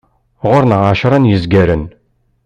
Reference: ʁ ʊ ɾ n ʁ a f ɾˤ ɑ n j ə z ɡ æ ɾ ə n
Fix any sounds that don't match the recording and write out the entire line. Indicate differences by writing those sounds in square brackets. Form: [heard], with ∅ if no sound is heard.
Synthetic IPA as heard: ʁ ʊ ɾ n ʁ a [ʃ] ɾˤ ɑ n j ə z ɡ æ ɾ ə n

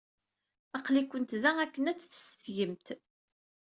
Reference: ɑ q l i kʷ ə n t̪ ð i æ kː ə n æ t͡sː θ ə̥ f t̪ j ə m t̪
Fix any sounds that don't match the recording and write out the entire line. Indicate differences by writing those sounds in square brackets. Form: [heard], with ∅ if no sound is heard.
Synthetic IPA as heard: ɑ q l i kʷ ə n t̪ ð [æ] æ kː ə n æ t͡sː θ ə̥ [s] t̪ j ə m t̪

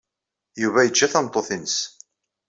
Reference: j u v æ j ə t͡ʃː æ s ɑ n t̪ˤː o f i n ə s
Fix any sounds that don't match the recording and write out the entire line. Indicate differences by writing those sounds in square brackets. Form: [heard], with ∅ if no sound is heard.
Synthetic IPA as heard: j u v æ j ə t͡ʃː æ [θ] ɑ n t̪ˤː o [θ] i n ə s

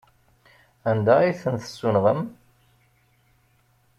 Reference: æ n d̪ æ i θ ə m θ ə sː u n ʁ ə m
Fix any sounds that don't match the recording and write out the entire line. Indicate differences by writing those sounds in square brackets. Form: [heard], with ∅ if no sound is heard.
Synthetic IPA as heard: æ n d̪ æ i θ ə [n] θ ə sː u n ʁ ə m

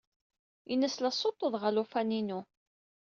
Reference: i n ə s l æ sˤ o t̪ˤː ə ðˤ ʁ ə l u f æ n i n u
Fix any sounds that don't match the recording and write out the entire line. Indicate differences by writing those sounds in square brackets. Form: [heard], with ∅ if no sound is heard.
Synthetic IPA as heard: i n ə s l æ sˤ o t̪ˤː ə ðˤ ʁ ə l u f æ n i n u

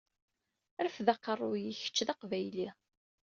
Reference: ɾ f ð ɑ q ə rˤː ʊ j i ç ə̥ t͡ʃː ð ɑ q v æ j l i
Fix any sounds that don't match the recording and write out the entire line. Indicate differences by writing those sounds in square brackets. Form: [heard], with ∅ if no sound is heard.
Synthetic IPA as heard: ɾ f ð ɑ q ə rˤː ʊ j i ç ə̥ t͡ʃː ð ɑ q v æ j l i

